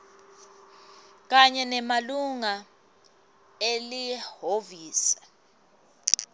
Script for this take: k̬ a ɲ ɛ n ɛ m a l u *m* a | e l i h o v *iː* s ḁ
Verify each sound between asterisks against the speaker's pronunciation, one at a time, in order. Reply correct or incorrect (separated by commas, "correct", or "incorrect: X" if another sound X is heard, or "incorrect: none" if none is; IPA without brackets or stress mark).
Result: incorrect: ŋ, correct